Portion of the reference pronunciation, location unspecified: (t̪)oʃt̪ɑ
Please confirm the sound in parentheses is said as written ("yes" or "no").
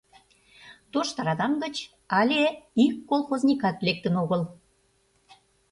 yes